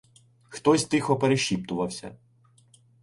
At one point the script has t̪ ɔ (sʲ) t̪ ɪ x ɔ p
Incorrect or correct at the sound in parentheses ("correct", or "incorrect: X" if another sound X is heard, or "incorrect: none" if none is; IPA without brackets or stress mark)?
correct